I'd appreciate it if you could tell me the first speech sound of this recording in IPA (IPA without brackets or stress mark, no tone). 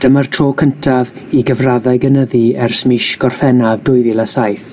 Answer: d̥